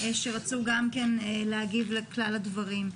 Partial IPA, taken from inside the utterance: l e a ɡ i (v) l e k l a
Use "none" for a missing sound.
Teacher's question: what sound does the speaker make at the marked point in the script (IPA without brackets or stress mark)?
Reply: v